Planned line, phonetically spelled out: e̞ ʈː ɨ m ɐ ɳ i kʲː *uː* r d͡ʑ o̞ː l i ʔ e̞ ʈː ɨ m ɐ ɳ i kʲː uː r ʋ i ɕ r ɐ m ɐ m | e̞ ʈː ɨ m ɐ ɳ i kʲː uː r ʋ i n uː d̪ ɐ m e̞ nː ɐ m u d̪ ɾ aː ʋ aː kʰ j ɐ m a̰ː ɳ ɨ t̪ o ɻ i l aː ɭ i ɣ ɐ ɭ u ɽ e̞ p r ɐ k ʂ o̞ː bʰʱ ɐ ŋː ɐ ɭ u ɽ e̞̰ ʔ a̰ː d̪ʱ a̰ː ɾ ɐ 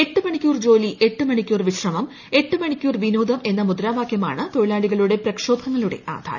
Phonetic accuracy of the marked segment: correct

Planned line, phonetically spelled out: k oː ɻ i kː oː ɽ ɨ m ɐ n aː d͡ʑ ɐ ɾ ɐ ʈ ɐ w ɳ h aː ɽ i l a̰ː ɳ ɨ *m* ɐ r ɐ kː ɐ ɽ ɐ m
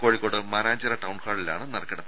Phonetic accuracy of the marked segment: incorrect: n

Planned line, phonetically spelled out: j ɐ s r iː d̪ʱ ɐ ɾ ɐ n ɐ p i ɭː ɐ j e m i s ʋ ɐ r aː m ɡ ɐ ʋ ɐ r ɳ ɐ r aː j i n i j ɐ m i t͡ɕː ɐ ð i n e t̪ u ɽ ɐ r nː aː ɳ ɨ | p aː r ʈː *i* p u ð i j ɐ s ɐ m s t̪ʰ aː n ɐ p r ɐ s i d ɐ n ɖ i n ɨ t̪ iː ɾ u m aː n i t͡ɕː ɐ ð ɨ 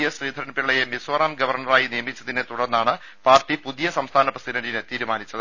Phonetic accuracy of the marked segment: correct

